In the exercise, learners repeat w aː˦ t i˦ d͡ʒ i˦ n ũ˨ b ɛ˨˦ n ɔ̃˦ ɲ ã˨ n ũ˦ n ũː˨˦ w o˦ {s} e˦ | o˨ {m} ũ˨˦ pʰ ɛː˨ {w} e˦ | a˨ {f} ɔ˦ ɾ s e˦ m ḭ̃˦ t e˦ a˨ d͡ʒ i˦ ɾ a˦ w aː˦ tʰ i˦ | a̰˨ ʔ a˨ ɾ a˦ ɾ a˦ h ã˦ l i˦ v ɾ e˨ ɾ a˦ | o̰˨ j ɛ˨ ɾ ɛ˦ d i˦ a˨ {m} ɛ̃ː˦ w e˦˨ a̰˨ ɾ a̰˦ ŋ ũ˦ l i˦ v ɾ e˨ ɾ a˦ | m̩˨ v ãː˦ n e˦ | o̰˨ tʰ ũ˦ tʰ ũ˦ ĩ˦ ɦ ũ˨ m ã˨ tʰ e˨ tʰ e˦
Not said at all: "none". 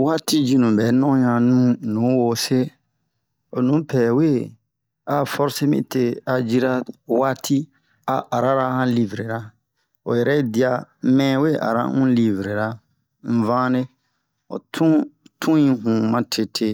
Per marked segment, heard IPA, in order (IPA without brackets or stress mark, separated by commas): s, n, w, f, m